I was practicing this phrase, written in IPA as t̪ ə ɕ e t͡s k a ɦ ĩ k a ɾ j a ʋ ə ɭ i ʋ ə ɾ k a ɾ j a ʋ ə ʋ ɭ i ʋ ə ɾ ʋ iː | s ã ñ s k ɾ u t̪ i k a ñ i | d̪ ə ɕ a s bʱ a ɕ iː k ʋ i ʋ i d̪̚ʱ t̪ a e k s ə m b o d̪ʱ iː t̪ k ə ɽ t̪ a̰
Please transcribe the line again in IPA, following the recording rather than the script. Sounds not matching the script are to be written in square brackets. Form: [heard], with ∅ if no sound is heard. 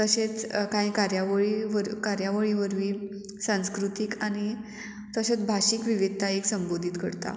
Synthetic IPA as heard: t̪ ə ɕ e t͡s k a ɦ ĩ k a ɾ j a ʋ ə ɭ i ʋ ə ɾ k a ɾ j a ʋ ə [∅] ɭ i ʋ ə ɾ ʋ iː | s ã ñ s k ɾ u t̪ i k a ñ i | [t̪] ə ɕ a [t͡s] bʱ a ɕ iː k ʋ i ʋ i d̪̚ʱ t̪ a e k s ə m b o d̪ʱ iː t̪ k ə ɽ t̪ a̰